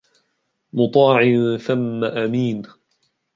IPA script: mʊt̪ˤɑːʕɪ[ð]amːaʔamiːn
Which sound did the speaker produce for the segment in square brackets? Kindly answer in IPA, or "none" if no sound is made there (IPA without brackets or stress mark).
θ